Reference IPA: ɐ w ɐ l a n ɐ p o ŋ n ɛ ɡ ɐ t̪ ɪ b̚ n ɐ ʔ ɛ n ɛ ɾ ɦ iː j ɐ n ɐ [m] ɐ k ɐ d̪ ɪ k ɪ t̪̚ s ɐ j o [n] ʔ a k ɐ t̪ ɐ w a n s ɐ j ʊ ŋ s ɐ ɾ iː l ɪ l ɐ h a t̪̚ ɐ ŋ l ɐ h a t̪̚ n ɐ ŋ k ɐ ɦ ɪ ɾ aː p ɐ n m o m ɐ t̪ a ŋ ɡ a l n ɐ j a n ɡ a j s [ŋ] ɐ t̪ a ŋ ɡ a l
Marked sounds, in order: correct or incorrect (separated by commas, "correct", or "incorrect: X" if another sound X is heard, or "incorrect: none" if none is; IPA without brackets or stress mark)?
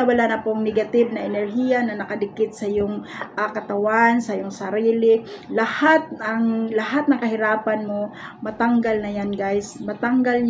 incorrect: n, incorrect: ŋ, incorrect: m